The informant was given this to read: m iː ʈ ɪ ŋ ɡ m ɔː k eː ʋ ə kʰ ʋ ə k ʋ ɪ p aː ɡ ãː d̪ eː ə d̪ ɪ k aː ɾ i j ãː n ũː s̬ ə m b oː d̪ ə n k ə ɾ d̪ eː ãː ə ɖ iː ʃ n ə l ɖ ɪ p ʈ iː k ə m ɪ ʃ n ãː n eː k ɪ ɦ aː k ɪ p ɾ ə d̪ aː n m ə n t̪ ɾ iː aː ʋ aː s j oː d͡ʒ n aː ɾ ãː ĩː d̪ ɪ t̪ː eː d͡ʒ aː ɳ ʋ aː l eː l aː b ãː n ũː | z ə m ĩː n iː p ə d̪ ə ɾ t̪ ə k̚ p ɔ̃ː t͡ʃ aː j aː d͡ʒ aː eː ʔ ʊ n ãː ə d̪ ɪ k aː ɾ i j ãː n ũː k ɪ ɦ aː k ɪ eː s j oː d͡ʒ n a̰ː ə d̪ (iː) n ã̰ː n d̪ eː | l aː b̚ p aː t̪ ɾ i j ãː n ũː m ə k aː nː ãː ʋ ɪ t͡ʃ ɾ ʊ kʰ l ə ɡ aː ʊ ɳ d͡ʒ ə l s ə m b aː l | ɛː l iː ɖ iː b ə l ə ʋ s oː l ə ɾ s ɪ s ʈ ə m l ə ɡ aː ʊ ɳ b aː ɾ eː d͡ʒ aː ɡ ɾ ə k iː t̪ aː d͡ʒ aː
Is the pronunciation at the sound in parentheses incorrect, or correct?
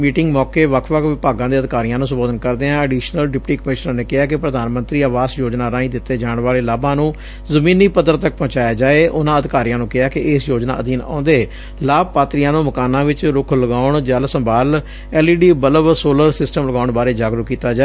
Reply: correct